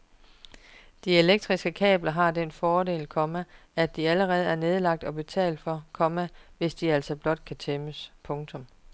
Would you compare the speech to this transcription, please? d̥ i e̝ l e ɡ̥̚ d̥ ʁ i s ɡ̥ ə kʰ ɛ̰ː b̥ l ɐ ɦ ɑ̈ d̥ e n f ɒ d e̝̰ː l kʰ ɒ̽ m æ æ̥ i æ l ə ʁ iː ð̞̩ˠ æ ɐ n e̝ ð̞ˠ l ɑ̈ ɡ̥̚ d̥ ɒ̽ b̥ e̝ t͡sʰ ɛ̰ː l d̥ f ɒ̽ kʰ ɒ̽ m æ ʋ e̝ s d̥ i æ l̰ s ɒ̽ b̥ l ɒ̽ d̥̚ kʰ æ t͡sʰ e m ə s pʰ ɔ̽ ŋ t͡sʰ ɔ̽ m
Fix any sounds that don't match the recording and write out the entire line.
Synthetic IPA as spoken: d̥ i e̝ l e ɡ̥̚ d̥ ʁ i s ɡ̥ ə kʰ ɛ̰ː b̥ l ɐ ɦ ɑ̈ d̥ e n f ɒː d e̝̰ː l kʰ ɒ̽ m æ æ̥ i æ l ə ʁ ɛː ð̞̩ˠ æ ɐ n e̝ ð̞ˠ l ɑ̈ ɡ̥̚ d̥ ɒ̽ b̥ e̝ t͡sʰ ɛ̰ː l d̥ f ɒ̽ kʰ ɒ̽ m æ ʋ e̝ s d̥ i æ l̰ s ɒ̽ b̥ l ɒ̽ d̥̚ kʰ æ t͡sʰ e m ə s pʰ ɔ̽ ŋ t͡sʰ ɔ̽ m

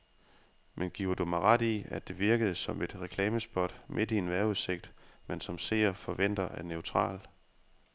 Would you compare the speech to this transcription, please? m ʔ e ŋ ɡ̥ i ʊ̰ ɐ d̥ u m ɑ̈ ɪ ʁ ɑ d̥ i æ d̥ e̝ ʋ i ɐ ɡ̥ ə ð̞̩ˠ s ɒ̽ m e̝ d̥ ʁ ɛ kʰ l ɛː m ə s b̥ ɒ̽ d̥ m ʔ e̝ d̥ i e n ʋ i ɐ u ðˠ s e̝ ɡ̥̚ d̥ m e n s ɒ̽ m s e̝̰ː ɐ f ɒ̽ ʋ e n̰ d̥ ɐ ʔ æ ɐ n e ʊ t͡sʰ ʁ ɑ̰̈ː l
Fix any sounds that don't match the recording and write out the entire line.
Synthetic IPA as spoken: m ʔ e n ɡ̥ i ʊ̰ ɐ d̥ u m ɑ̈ ɪ ʁ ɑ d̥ i æ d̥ e̝ ʋ i ɐ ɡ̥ ə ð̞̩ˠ s ɒ̽ m e̝ d̥ ʁ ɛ kʰ l ɛː m ə s b̥ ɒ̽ d̥ m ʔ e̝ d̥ i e n ʋ æ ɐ u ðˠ s e̝ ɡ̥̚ d̥ m e n s ɒ̽ m s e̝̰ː ɐ f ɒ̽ ʋ e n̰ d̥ ɐ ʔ æ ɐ n e ʊ t͡sʰ ʁ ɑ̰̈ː l

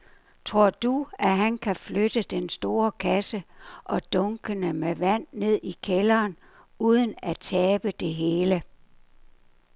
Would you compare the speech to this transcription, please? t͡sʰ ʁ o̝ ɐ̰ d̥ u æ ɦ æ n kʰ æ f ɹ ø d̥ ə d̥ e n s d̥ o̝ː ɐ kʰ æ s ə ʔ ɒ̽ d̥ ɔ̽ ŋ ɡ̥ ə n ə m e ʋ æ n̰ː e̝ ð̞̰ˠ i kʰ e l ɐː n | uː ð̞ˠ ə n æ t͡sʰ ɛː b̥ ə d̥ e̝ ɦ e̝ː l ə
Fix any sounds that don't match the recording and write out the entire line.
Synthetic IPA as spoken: t͡sʰ ʁ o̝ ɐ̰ d̥ u æ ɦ æ n kʰ æ f l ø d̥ ə d̥ e n s d̥ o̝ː ɐ kʰ æ s ə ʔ ɒ̽ d̥ ɔ̽ ŋ ɡ̥ ə n ə m e ʋ æ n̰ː e̝ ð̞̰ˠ i kʰ e l ɐː n | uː ð̞ˠ ə n æ t͡sʰ ɛː b̥ ə d̥ e̝ ɦ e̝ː l ə

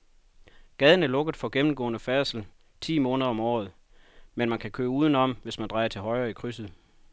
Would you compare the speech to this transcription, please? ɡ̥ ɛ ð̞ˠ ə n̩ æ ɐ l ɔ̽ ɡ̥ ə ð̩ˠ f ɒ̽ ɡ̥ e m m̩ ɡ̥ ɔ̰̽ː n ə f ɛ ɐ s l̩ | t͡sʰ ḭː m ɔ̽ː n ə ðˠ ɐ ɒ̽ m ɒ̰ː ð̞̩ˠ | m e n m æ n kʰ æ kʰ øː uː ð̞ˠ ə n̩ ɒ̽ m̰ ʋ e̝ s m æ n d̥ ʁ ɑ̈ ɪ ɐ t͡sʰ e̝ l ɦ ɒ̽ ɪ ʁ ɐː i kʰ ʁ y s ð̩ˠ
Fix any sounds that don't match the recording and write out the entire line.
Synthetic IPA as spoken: ɡ̥ ɛ ð̞ˠ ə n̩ æ ɐ l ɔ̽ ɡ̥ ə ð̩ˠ f ɒ̽ ɡ̥ e m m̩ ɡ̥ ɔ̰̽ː n ə f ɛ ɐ s l̩ | t͡sʰ ḭː m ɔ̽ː n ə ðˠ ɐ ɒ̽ m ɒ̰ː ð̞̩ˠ | m e n m æ n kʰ æ kʰ øː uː ð̞ˠ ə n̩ ɒ̽ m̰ ʋ e̝ s m æ n d̥ ʁ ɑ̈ ɪ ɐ t͡sʰ e̝ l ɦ ɒ̽ ɪ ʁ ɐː i kʰ ʁ y s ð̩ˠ

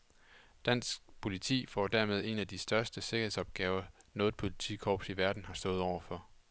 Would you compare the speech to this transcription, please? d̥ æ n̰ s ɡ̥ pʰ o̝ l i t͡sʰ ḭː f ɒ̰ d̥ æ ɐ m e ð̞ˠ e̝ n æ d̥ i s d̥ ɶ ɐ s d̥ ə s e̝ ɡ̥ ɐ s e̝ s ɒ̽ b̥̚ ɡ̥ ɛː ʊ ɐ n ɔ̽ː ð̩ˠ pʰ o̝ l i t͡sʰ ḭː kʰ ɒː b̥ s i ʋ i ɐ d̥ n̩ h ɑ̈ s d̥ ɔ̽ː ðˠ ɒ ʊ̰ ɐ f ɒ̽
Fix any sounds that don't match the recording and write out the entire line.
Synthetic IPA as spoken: d̥ æ n̰ s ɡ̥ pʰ o̝ l i t͡sʰ ḭː f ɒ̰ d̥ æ ɐ m e ð̞ˠ e̝ n æ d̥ i s d̥ ɶ ɐ s d̥ ə s e̝ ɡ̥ ɐ h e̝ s ɒ̽ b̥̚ ɡ̥ ɛː ʊ ɐ n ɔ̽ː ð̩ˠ pʰ o̝ l i t͡sʰ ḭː kʰ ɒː b̥ s i ʋ æ ɐ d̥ n̩ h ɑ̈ s d̥ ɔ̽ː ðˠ ɒ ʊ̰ ɐ f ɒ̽

